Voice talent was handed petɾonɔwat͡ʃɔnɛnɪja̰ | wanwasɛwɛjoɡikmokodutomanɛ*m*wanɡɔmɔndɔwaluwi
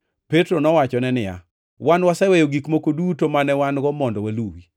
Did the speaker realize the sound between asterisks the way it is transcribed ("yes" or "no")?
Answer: no